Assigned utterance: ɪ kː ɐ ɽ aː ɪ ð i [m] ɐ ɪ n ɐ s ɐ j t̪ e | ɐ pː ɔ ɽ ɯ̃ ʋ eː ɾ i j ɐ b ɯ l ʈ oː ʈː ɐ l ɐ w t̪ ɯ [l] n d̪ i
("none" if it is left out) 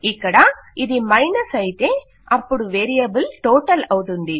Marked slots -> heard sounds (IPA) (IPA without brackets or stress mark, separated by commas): m, none